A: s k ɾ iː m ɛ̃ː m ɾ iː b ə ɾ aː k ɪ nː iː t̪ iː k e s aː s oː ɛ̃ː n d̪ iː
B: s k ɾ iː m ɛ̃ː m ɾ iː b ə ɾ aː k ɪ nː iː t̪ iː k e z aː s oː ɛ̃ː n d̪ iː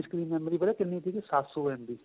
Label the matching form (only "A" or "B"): A